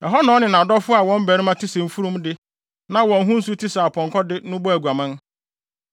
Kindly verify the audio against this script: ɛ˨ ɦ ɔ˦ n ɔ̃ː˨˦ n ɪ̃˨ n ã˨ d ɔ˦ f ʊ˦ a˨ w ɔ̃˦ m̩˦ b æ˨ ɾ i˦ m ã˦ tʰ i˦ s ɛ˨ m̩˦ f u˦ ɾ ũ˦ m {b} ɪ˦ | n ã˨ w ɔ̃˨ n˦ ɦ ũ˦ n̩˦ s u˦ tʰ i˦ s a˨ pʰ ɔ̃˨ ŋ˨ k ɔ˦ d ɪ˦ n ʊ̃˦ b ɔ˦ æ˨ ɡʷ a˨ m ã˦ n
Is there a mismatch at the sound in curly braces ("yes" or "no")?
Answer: yes